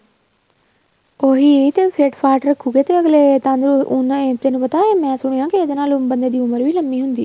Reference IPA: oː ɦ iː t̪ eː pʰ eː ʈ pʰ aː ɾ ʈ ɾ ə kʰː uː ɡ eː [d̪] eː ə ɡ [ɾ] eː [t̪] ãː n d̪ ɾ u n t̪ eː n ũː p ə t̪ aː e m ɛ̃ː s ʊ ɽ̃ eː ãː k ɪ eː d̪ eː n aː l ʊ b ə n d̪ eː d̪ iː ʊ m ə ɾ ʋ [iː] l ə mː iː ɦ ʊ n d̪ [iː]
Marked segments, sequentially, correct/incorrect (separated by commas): incorrect, incorrect, correct, correct, correct